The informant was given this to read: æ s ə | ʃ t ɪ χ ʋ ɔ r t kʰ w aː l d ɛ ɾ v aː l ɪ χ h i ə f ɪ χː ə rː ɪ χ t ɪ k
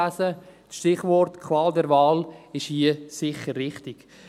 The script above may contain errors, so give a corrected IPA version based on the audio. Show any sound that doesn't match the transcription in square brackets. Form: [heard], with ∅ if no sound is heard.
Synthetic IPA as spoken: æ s ə | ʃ t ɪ χ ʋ ɔ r t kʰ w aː l d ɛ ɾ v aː l ɪ [ʃ] h i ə [s] ɪ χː ə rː ɪ χ t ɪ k